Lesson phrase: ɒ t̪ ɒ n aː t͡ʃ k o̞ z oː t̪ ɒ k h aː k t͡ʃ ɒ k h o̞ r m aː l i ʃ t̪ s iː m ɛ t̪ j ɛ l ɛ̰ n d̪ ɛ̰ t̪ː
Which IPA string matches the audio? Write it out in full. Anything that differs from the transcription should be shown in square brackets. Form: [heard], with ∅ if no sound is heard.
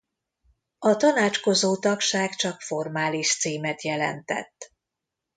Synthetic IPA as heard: ɒ t̪ ɒ n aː t͡ʃ k o̞ z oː t̪ ɒ k [ʃ] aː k t͡ʃ ɒ k [f] o̞ r m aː l i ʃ t̪ s iː m ɛ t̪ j ɛ l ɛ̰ n [t̪] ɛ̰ t̪ː